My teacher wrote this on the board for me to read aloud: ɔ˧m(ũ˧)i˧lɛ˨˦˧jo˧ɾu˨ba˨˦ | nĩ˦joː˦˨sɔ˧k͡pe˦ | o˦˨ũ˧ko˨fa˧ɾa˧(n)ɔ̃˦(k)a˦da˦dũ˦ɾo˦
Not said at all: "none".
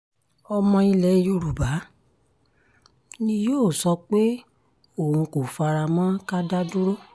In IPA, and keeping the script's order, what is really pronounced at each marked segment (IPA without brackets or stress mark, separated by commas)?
ɔ̃˧, m, k